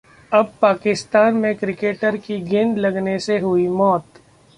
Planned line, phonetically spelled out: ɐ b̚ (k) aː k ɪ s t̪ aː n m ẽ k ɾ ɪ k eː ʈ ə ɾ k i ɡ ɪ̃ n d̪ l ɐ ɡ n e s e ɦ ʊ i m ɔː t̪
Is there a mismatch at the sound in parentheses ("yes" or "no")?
yes